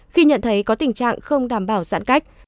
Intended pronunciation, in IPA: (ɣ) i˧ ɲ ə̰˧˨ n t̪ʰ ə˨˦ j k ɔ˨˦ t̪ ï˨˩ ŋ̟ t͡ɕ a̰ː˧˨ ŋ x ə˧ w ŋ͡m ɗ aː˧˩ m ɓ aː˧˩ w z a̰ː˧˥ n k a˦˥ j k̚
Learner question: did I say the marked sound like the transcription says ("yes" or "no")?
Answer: no